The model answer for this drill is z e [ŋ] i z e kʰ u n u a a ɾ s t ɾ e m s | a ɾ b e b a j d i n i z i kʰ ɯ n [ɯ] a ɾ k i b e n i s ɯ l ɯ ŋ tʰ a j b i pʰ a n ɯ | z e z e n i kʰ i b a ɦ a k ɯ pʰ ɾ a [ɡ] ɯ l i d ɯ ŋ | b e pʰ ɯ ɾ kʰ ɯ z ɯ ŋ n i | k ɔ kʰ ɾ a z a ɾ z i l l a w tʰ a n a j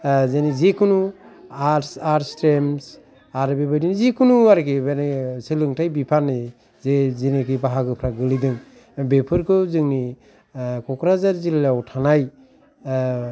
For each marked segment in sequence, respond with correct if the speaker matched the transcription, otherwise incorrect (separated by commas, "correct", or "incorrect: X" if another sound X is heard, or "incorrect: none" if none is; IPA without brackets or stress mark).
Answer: incorrect: n, incorrect: u, correct